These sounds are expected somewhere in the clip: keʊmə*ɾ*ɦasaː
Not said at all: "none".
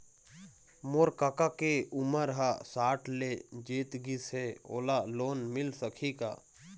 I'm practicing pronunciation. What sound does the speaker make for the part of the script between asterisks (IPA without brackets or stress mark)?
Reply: ɾ